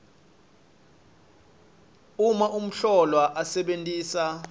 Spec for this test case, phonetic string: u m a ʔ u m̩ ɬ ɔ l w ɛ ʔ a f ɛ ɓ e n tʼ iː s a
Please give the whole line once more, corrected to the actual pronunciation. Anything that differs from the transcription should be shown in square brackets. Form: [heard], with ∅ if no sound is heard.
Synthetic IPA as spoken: u m a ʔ u m̩ ɬ ɔ l w [a] ʔ a [s] ɛ ɓ e n tʼ iː s a